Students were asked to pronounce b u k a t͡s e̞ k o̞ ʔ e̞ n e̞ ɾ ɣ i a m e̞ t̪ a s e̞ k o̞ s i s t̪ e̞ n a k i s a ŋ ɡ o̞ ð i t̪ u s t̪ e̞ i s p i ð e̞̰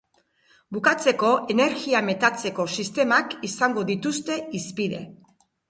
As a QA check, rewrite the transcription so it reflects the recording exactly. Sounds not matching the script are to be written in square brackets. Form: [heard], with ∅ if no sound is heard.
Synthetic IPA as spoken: b u k a t͡s e̞ k o̞ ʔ e̞ n e̞ ɾ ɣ i a m e̞ t̪ a [t͡s] e̞ k o̞ s i s t̪ e̞ [m] a k i s a ŋ ɡ o̞ ð i t̪ u s t̪ e̞ i s p i ð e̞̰